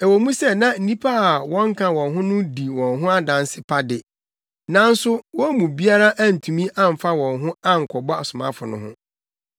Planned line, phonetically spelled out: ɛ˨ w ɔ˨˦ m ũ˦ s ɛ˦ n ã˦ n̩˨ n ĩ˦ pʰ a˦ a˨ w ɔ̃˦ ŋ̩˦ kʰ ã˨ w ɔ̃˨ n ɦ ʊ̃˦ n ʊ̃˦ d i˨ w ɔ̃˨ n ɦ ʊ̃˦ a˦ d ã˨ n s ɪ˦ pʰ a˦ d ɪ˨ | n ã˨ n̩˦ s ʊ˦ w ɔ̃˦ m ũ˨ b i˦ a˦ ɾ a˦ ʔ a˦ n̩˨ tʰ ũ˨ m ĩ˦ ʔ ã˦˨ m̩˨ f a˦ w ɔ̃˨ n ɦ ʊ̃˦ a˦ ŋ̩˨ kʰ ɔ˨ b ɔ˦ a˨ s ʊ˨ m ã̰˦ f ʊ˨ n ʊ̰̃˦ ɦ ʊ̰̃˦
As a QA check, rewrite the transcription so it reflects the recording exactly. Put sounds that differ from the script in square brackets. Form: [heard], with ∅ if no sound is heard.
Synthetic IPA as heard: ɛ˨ w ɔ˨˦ m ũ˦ s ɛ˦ n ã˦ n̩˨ n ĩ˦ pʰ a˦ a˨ w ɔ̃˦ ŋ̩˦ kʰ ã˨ w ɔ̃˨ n ɦ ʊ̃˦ n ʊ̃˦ d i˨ w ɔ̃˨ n ɦ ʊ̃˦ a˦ d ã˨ n s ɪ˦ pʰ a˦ d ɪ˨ | n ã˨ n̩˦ s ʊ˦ w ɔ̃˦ m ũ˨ b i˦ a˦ ɾ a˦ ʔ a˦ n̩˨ tʰ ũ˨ m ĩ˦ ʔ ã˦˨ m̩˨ f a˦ w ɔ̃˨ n ɦ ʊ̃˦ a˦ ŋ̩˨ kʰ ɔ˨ b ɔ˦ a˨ s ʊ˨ m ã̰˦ f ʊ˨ n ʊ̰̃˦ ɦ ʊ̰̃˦